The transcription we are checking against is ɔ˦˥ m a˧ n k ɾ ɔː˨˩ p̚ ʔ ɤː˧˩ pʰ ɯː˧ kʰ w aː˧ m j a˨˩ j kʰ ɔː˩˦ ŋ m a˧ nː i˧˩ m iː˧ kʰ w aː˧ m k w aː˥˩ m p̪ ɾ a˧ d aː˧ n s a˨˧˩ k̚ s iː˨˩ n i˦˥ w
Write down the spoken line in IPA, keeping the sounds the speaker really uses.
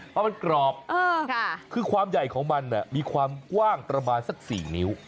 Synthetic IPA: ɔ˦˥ m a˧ n k ɾ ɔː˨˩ p̚ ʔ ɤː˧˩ kʰ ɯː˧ kʰ w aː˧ m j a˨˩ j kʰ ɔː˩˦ ŋ m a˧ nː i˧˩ m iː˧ kʰ w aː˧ m k w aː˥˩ ŋ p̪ ɾ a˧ b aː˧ n s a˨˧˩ k̚ s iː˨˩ n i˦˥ w